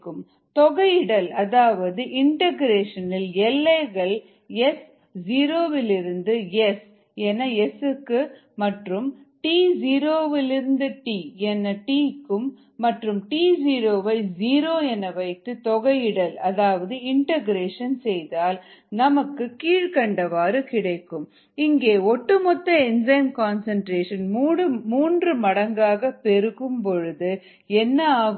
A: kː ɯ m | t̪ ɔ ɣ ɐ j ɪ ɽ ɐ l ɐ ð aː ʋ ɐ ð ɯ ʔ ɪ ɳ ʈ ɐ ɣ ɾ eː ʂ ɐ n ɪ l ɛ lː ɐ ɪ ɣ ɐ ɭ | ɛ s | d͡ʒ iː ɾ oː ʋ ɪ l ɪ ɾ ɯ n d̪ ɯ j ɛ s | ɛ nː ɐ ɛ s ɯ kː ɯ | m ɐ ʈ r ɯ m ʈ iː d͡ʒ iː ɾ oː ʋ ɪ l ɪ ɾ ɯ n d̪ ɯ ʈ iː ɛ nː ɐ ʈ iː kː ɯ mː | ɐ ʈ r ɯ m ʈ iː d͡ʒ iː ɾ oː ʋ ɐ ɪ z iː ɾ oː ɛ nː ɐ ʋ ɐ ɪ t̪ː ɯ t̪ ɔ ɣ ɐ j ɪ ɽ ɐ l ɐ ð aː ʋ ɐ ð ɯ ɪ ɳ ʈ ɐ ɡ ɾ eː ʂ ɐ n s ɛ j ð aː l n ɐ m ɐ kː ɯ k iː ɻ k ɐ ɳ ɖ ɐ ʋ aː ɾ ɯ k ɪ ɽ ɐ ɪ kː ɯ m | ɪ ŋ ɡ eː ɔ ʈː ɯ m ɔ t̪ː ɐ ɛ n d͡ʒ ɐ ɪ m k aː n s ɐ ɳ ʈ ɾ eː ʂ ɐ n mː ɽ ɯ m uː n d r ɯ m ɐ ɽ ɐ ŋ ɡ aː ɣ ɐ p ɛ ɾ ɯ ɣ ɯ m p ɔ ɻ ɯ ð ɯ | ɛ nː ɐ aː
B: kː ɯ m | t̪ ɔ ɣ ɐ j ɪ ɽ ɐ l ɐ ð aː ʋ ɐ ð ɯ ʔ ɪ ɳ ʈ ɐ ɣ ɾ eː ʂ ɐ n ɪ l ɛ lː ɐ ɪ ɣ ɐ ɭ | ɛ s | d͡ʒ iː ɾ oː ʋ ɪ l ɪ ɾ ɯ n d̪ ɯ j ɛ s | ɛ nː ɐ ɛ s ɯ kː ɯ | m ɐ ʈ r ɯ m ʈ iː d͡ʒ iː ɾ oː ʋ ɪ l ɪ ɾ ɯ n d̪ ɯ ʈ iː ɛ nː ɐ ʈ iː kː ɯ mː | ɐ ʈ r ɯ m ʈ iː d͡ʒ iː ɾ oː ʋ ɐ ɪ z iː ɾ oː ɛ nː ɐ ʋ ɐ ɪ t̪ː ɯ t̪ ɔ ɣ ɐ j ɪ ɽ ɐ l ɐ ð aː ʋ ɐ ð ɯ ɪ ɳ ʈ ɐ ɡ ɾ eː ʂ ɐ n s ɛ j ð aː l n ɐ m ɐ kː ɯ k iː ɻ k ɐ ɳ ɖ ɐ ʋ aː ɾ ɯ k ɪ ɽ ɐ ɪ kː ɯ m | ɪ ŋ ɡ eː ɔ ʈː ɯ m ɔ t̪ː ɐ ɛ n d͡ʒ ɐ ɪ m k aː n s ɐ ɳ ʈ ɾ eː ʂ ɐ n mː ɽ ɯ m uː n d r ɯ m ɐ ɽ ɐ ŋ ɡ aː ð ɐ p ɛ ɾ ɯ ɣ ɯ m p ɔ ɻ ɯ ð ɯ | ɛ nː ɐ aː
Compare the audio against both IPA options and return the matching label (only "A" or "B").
A